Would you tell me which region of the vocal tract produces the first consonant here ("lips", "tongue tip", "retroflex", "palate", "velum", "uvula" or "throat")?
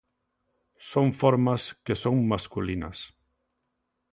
tongue tip